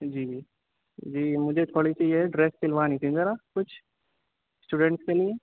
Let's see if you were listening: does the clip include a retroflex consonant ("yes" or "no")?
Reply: yes